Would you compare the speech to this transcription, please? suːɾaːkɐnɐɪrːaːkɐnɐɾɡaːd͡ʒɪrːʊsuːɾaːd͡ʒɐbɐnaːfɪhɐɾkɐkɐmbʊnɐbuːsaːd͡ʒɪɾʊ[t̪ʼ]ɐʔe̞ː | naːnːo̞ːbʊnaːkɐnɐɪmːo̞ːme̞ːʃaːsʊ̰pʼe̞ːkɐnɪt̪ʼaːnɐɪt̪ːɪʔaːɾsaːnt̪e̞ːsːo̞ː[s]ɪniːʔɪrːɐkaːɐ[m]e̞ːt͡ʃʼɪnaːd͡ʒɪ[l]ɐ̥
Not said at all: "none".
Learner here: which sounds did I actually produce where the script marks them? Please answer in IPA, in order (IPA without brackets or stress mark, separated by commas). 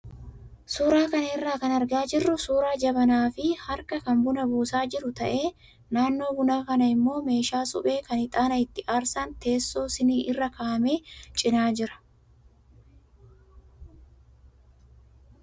t̪, s, m, ɾ